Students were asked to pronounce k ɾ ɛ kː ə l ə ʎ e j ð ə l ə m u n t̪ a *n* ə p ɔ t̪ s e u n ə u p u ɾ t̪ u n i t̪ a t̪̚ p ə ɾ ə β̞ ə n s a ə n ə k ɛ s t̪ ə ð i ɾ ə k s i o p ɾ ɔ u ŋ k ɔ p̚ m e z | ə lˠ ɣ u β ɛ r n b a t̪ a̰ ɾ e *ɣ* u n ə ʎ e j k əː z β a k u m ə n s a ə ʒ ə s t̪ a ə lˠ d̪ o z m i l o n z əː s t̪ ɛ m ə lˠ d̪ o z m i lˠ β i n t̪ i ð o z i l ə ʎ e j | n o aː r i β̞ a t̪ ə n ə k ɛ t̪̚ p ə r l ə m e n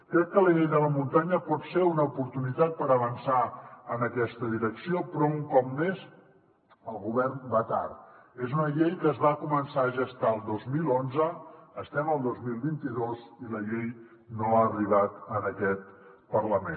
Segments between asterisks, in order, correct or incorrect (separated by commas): incorrect, incorrect